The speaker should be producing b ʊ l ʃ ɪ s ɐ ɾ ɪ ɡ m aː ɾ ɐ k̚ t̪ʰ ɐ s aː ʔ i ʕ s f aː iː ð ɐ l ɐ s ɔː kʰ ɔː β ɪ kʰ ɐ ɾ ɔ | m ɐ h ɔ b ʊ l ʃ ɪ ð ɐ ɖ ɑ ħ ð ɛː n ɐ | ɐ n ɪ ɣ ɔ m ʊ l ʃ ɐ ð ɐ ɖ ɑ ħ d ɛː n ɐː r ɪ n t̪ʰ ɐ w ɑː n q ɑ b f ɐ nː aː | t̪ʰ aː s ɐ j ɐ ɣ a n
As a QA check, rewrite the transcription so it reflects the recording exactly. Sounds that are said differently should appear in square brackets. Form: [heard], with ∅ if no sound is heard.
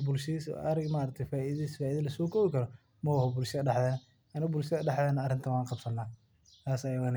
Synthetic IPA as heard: b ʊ l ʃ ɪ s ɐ ɾ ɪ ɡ m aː ɾ ɐ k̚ t̪ʰ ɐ [f] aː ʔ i [ð] s f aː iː ð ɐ l ɐ s ɔː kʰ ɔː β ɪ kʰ ɐ ɾ ɔ | m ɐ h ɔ b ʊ l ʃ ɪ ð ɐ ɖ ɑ ħ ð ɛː n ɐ | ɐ n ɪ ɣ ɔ [b] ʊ l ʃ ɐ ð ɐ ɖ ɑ ħ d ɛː n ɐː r ɪ n t̪ʰ ɐ w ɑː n q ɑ b [s] ɐ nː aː | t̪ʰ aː s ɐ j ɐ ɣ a n